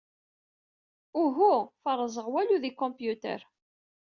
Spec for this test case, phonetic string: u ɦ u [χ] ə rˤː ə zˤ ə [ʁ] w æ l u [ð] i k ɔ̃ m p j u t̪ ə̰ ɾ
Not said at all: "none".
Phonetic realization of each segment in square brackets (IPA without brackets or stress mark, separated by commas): f, ʁ, ð